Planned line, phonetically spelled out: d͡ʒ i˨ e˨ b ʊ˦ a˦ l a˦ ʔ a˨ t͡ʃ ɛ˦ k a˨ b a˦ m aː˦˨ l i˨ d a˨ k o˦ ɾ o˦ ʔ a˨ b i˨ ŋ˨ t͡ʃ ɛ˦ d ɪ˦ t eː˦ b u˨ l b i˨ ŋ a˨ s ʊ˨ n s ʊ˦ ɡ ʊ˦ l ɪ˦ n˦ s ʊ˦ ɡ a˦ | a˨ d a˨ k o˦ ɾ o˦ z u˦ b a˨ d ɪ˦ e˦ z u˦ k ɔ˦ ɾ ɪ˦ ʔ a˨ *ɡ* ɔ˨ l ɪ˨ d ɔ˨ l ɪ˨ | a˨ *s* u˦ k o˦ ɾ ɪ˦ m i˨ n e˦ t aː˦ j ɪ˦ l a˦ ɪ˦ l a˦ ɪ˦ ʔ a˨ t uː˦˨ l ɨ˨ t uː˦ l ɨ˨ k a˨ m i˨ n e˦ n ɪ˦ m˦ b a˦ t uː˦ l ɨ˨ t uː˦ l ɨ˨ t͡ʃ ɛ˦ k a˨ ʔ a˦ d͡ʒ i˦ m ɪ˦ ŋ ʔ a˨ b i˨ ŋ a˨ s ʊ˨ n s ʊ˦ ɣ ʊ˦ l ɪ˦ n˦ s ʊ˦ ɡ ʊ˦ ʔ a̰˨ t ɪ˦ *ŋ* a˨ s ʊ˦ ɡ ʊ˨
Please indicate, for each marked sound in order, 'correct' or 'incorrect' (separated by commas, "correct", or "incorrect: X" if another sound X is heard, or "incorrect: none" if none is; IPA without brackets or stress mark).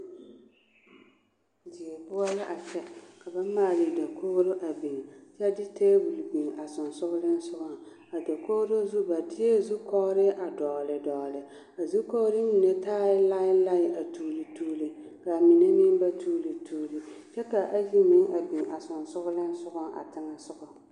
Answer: incorrect: d, incorrect: z, correct